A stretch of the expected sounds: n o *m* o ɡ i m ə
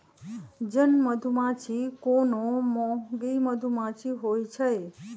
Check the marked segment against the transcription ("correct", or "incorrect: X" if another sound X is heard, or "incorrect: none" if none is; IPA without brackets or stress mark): correct